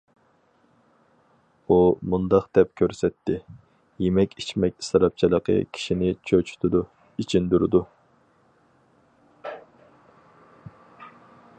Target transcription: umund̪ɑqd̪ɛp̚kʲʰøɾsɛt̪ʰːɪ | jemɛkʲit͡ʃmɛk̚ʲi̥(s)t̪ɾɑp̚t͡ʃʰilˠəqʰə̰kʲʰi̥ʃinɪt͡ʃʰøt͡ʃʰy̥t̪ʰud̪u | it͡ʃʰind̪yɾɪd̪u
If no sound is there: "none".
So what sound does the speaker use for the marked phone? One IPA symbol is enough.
s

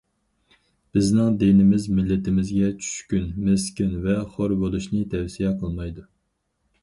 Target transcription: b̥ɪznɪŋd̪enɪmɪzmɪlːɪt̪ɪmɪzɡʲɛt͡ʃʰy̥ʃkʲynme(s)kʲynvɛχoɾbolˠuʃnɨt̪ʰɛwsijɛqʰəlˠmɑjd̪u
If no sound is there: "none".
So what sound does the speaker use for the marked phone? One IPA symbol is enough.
s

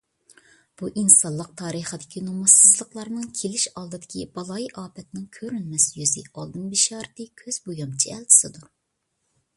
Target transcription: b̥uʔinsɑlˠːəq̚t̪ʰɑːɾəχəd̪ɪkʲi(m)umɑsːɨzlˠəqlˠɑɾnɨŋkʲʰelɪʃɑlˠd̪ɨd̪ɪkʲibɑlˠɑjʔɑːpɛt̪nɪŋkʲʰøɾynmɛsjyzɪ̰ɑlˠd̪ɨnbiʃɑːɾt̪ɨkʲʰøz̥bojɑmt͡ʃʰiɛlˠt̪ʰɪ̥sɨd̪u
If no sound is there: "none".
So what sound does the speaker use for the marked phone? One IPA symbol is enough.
n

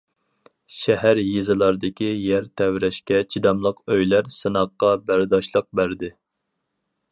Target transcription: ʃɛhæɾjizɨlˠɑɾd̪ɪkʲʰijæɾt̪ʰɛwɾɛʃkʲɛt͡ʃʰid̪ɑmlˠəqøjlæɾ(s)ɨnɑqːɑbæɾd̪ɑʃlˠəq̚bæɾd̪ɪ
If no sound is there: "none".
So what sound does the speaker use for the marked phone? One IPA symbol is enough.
s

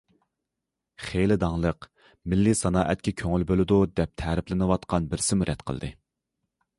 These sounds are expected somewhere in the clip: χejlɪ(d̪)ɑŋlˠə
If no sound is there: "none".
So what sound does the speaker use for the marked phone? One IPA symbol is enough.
d̪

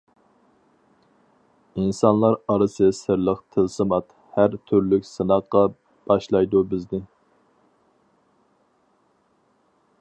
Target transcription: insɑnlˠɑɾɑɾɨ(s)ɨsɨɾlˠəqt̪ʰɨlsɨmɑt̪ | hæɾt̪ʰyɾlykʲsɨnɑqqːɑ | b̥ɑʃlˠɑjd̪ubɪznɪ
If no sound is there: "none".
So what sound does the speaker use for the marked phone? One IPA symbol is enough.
s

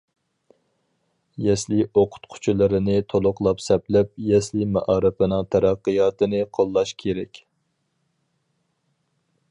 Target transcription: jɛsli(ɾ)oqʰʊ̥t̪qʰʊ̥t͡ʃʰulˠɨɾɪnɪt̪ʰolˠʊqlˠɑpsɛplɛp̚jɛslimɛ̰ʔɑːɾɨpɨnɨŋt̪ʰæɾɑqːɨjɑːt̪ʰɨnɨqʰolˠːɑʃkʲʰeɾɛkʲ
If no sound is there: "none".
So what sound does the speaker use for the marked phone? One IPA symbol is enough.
none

